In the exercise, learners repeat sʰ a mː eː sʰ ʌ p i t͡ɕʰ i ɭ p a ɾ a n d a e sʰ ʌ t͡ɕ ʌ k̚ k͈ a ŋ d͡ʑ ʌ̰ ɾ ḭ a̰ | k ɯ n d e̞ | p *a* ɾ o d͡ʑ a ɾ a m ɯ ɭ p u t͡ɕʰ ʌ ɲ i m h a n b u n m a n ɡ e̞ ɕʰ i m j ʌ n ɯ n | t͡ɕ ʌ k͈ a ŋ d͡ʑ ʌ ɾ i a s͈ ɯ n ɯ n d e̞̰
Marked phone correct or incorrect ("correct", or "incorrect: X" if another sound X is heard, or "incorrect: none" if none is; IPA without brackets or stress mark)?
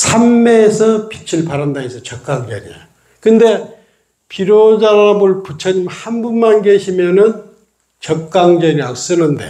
incorrect: i